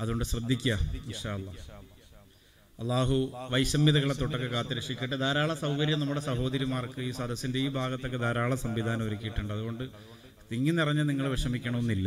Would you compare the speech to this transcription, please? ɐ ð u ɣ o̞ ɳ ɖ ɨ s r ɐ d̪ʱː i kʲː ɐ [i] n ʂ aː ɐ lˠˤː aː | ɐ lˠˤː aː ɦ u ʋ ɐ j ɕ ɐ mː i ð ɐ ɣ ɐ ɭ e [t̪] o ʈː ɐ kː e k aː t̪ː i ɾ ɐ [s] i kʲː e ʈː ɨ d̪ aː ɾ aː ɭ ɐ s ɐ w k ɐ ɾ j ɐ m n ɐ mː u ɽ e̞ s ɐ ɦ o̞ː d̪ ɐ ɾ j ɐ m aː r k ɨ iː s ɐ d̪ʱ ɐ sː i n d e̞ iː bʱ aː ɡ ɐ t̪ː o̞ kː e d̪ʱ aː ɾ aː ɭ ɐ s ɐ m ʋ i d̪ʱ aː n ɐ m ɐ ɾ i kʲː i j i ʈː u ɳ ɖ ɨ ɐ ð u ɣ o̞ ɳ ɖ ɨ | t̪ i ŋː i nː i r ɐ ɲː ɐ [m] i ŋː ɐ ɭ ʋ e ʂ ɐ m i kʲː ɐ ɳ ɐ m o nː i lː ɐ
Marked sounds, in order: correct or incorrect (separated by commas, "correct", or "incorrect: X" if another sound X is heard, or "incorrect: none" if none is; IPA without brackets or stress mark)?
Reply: correct, correct, incorrect: ʂ, incorrect: n